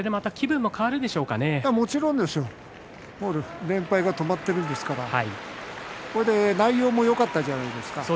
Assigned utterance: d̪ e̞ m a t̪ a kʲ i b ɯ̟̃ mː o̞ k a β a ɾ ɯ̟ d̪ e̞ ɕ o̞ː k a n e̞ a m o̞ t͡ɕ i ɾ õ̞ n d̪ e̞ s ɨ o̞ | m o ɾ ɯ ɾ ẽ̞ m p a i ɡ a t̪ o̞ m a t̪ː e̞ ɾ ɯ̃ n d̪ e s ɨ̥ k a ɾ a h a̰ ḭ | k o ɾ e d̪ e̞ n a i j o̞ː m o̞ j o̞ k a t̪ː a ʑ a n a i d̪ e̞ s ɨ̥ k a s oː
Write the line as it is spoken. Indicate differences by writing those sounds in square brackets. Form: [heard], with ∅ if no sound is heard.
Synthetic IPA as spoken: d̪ e̞ m a t̪ a kʲ i b ɯ̟̃ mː o̞ k a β a ɾ ɯ̟ d̪ e̞ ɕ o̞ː k a n e̞ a m o̞ t͡ɕ i ɾ õ̞ n d̪ e̞ s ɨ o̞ | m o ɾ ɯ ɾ ẽ̞ m p a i ɡ a t̪ o̞ m a t̪ː e̞ ɾ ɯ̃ n d̪ e s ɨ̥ k a ɾ a h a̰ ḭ | k o ɾ e d̪ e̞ n a i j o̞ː m o̞ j o̞ k a t̪ː a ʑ a n a i d̪ e̞ s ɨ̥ k a s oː

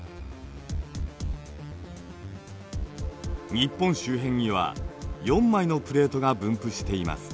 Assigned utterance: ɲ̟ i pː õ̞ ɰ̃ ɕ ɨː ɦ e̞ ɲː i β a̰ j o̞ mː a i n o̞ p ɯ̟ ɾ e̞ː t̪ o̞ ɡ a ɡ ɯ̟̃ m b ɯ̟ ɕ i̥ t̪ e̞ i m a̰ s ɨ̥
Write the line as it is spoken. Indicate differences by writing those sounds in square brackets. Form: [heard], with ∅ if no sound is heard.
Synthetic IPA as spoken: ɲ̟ i pː õ̞ ɰ̃ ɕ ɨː ɦ [ẽ̞] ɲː i β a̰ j [õ̞] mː a i n o̞ p ɯ̟ ɾ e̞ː t̪ o̞ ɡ a [b] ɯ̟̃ m [p] ɯ̟ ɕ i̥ t̪ e̞ i m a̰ s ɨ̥

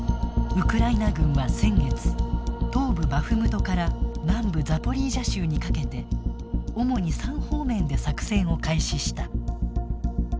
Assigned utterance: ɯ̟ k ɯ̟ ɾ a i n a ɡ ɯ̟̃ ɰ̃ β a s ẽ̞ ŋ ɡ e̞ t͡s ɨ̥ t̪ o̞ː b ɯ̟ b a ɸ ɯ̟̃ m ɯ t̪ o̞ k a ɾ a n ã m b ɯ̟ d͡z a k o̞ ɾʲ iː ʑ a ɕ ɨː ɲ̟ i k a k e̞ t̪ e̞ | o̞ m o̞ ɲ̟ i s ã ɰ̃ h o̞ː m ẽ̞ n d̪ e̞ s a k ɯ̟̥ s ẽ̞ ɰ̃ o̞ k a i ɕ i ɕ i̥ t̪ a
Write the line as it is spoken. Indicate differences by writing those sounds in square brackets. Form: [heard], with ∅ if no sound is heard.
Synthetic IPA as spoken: ɯ̟ k ɯ̟ ɾ a i n a ɡ ɯ̟̃ ɰ̃ β a s ẽ̞ ŋ ɡ e̞ t͡s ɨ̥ t̪ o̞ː b ɯ̟ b a ɸ [ɯ̟] m ɯ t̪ o̞ k a ɾ a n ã m b ɯ̟ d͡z a [p] o̞ ɾʲ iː ʑ a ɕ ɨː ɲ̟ i k a k e̞ t̪ e̞ | o̞ m o̞ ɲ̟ i s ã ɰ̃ h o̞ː m ẽ̞ n d̪ e̞ s a k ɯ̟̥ s ẽ̞ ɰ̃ o̞ k a i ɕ i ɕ i̥ t̪ a

